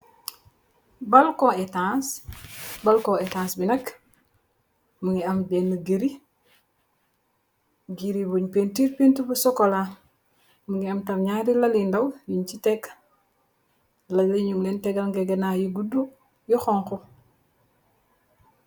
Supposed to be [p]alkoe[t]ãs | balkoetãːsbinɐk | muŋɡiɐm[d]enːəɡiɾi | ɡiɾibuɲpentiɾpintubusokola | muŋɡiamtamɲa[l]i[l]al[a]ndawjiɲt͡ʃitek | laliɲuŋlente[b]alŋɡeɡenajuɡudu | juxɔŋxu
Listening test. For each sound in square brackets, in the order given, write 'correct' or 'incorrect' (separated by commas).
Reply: incorrect, correct, incorrect, incorrect, correct, incorrect, incorrect